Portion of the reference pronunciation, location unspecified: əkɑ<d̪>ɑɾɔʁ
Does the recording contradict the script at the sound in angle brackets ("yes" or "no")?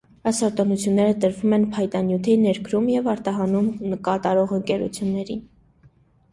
yes